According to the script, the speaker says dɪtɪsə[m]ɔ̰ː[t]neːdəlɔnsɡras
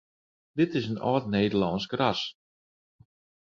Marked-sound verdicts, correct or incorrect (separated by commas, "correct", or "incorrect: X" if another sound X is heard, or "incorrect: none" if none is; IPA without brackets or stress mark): incorrect: n, correct